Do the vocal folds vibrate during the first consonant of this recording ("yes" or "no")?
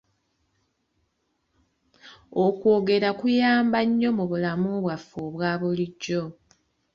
no